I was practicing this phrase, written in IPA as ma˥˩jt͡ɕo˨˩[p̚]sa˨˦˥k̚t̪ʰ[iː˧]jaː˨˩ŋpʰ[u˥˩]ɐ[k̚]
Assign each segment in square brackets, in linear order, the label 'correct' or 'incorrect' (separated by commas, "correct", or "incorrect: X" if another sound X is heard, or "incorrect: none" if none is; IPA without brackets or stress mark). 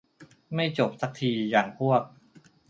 correct, correct, correct, correct